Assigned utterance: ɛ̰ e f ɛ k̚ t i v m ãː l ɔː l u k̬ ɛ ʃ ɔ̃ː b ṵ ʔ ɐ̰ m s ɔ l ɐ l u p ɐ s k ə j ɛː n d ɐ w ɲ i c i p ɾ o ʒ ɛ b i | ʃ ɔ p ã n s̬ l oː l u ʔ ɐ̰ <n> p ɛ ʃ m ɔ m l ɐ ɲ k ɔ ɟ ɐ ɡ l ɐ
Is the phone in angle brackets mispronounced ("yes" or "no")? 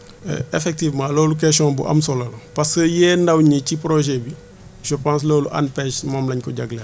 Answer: no